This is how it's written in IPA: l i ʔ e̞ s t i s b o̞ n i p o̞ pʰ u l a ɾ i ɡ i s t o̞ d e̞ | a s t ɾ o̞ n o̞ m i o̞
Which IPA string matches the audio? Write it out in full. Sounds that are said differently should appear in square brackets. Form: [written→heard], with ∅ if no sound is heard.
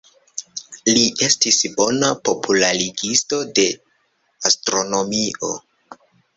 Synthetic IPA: l i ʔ e̞ s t i s b o̞ n [i→a] p o̞ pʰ u l a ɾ i ɡ i s t o̞ d e̞ | a s t ɾ o̞ n o̞ m i o̞